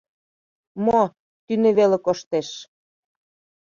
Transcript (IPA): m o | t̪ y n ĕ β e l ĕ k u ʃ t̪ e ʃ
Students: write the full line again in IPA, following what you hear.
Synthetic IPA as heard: m o | t̪ y n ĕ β e l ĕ k o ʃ t̪ e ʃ